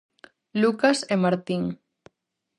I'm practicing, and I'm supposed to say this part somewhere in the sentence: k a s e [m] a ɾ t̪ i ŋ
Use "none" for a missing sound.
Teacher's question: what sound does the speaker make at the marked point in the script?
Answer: m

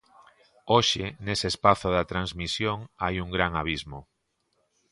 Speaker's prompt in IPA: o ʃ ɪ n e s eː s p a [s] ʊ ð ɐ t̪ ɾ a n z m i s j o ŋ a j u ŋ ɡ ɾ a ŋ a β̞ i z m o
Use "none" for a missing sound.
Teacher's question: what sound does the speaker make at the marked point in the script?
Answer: θ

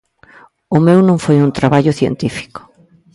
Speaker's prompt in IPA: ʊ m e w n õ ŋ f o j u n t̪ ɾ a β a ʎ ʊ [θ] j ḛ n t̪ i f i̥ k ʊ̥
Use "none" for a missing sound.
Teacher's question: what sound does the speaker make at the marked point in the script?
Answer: θ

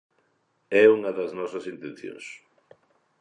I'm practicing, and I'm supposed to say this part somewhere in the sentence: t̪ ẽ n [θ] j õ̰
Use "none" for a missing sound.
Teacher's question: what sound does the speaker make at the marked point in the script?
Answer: θ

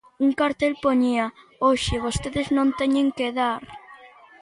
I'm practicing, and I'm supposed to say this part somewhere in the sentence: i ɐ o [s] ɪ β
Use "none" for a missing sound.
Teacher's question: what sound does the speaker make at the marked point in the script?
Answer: ʃ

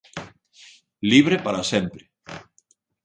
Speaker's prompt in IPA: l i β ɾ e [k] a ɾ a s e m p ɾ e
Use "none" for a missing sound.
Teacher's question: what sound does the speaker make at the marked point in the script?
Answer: p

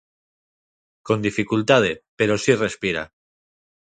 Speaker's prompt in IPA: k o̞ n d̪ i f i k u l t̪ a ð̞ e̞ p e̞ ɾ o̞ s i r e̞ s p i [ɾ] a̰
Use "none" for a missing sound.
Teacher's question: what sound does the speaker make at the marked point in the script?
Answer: ɾ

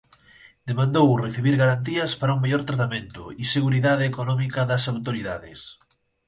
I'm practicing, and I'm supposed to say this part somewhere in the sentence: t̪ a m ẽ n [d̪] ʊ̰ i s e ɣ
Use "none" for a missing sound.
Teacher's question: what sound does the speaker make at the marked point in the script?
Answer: t̪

